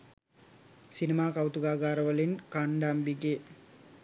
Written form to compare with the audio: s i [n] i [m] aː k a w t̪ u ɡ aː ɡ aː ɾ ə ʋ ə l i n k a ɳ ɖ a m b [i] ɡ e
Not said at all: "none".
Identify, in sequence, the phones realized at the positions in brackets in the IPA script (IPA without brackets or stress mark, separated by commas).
n, m, i